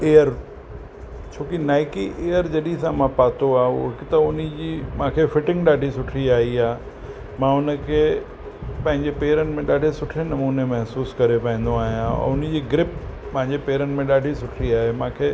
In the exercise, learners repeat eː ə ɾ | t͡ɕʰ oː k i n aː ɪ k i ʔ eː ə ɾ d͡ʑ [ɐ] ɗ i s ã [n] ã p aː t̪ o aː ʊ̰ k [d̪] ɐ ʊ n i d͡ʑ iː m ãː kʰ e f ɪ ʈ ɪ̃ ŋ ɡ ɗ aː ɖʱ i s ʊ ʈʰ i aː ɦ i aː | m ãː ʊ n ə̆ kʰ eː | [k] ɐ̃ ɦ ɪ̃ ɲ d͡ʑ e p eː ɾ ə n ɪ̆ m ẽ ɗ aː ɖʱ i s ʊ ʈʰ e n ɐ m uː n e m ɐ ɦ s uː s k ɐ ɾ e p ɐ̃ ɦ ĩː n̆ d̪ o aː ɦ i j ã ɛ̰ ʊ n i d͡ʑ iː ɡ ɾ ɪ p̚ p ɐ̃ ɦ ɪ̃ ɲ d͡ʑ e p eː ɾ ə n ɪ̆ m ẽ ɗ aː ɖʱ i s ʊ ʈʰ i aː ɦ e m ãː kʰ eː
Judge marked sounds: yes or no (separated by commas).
yes, no, no, no